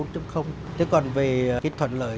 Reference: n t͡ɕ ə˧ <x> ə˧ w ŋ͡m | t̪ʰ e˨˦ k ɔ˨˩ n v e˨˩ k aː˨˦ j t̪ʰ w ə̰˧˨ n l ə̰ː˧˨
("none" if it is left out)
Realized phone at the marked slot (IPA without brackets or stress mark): x